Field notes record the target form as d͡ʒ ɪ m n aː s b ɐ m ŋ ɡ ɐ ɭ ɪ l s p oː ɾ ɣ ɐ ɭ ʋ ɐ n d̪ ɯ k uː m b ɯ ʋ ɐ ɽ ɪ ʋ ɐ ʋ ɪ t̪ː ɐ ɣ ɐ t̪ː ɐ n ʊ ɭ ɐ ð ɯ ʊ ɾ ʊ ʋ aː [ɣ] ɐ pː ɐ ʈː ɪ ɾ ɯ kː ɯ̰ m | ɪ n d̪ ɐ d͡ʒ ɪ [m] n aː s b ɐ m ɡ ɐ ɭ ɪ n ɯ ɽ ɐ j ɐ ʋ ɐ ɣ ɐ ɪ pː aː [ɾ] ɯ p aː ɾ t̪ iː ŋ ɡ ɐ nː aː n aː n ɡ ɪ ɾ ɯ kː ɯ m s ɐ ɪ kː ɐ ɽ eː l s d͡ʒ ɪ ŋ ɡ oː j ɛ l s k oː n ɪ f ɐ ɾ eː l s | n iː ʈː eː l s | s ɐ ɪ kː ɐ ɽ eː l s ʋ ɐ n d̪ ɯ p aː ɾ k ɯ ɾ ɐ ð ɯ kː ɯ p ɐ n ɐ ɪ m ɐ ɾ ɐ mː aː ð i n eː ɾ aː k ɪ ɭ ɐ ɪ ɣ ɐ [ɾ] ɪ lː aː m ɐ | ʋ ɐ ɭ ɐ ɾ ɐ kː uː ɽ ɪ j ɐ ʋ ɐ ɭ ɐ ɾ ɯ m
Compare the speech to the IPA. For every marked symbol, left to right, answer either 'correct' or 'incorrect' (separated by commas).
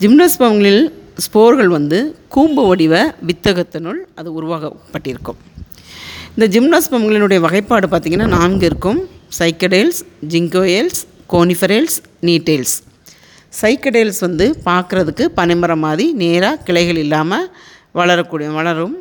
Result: correct, correct, incorrect, incorrect